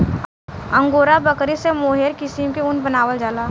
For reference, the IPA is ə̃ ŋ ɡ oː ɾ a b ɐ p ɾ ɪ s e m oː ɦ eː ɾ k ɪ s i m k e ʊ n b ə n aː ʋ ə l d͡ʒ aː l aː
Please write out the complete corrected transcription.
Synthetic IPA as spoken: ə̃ ŋ ɡ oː ɾ a b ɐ k ɾ i s e m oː ɦ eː ɾ k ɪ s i m k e ʊ n b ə n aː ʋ ə l d͡ʒ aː l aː